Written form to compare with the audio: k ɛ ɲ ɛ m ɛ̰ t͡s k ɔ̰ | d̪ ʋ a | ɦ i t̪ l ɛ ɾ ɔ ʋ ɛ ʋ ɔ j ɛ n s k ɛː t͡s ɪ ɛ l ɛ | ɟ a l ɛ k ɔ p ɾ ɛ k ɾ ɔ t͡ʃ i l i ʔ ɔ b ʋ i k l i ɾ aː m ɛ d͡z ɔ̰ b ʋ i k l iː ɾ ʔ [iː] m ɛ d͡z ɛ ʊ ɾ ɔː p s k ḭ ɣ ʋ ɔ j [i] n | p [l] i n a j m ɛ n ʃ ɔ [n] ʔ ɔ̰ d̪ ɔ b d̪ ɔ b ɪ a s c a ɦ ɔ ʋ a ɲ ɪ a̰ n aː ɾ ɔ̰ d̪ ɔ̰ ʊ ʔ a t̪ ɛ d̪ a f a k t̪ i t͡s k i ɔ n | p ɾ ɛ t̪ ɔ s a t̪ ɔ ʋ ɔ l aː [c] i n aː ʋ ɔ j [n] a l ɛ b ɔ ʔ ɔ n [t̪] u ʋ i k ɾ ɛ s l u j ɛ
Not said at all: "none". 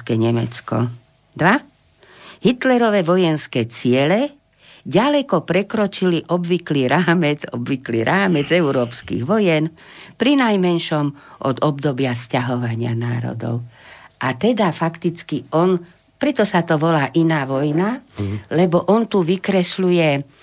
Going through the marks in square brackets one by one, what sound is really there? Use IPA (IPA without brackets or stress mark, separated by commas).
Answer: aː, ɛ, ɾ, m, ʔ, n, t̪